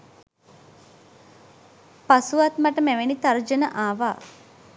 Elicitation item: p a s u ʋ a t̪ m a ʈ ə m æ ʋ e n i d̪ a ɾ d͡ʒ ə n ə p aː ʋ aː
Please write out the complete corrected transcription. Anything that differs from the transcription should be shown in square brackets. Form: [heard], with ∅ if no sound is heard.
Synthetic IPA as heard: p a s u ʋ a t̪ m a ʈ ə m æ ʋ e n i [t̪] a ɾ d͡ʒ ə n ə [ʔ] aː ʋ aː